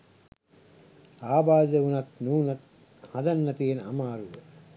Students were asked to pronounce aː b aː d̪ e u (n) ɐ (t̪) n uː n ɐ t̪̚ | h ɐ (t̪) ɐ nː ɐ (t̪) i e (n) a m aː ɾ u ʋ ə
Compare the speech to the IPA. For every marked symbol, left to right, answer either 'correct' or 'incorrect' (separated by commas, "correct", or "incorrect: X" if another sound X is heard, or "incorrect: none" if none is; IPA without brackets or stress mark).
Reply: correct, correct, incorrect: d̪, correct, correct